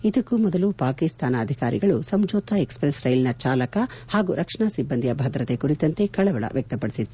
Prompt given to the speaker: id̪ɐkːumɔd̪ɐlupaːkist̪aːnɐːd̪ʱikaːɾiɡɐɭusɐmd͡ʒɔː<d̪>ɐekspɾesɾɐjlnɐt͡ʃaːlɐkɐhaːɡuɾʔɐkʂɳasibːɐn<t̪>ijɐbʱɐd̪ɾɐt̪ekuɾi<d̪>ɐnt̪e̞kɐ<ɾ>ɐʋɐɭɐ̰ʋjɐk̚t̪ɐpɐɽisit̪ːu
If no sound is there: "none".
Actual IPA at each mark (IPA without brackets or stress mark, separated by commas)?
t̪, d̪, t̪, ɭ